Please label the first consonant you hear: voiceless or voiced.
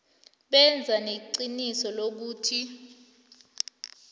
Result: voiced